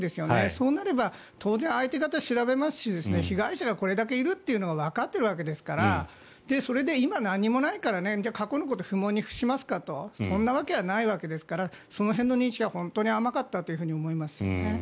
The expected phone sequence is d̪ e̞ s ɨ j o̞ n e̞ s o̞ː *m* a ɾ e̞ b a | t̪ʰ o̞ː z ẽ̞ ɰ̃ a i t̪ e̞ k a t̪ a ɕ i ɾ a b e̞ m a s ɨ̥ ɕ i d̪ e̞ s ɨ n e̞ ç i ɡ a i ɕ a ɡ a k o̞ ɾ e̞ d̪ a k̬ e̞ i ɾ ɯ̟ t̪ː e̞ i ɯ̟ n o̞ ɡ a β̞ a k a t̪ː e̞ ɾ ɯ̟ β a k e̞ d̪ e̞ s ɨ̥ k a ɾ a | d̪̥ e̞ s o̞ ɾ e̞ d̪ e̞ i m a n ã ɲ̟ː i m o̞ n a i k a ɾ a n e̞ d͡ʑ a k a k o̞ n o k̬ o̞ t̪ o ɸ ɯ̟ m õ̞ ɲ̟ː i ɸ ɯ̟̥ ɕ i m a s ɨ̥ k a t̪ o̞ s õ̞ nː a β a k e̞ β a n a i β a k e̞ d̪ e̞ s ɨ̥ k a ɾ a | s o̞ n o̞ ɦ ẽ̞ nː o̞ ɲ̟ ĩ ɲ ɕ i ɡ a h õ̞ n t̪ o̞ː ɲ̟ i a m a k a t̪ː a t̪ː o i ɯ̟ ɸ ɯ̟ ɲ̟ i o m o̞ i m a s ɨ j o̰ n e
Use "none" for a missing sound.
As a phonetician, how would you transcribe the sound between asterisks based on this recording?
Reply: n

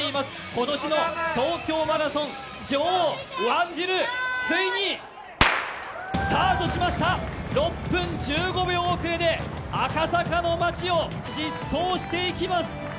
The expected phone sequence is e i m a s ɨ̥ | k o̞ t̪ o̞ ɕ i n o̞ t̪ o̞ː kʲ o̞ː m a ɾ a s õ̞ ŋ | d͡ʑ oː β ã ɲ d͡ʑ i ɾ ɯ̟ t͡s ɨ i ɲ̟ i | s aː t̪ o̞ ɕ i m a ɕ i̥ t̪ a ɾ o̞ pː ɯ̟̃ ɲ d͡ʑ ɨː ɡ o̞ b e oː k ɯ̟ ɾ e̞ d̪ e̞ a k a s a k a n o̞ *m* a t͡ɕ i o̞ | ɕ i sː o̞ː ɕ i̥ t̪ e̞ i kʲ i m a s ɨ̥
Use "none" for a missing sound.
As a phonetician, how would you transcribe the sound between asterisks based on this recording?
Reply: m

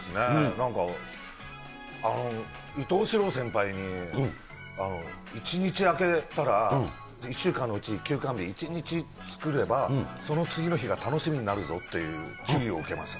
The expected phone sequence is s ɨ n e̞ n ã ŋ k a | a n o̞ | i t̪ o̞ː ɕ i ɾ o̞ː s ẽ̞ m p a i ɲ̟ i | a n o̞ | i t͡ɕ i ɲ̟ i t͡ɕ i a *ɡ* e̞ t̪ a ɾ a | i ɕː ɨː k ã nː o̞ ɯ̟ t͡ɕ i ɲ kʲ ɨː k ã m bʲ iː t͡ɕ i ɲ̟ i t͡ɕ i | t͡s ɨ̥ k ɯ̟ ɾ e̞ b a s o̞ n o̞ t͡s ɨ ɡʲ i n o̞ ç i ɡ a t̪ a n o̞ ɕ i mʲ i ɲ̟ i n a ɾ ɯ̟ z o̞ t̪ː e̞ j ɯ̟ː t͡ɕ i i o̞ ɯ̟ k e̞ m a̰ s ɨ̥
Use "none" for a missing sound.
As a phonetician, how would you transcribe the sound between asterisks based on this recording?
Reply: k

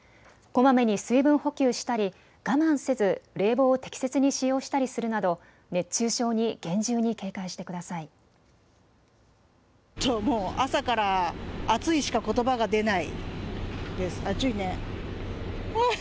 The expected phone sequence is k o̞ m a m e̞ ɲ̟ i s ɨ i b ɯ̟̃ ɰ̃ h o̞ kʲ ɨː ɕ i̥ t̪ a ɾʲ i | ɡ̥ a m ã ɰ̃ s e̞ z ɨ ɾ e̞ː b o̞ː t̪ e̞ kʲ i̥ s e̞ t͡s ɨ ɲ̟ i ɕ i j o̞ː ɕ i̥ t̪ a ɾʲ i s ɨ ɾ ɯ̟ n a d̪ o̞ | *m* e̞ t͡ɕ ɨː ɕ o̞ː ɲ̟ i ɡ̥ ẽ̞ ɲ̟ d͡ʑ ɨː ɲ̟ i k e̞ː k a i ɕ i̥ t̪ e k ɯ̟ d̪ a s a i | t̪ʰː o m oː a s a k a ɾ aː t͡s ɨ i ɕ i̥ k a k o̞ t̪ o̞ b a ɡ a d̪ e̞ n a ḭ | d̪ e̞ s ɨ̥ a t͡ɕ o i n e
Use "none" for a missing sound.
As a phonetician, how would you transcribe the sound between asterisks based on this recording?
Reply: n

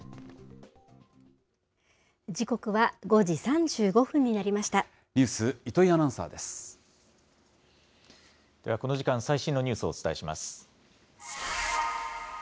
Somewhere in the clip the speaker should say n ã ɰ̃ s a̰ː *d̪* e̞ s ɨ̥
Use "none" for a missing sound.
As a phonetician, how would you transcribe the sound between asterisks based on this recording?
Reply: d̪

